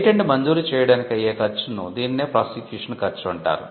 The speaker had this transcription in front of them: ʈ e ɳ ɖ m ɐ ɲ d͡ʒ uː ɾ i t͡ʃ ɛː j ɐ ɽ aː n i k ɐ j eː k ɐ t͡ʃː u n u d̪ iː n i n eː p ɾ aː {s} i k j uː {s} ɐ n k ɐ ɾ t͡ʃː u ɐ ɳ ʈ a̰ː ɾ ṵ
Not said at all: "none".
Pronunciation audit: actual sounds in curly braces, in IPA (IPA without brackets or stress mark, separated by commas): s, ʂ